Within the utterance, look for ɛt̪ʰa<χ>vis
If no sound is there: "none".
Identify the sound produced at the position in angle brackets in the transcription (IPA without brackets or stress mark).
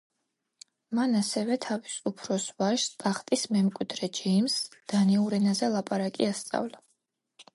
none